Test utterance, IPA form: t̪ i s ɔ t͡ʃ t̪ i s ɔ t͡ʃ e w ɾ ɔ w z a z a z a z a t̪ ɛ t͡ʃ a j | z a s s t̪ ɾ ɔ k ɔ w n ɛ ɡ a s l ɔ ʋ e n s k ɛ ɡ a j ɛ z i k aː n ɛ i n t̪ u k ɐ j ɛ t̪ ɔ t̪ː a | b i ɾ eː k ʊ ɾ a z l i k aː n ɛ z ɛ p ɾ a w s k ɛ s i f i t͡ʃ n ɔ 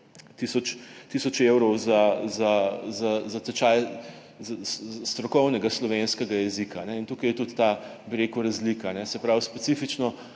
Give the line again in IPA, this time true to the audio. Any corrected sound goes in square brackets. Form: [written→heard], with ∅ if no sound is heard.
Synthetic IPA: t̪ i s ɔ t͡ʃ t̪ i s ɔ t͡ʃ e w ɾ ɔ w z a z a z a z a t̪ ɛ t͡ʃ a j | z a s s t̪ ɾ ɔ k ɔ w n ɛ ɡ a s l ɔ ʋ e n s k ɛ ɡ a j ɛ z i k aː n ɛ i n t̪ u k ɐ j ɛ t̪ [ɔ→u] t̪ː a | b i ɾ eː k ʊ ɾ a z l i k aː n ɛ [z→s] ɛ p ɾ a w s [k→p] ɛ s i f i t͡ʃ n ɔ